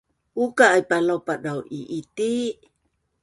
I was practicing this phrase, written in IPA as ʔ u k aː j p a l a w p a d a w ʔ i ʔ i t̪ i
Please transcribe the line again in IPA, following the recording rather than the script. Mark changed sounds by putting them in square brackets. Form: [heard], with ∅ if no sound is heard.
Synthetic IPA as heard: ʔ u k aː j p a l a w p a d a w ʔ i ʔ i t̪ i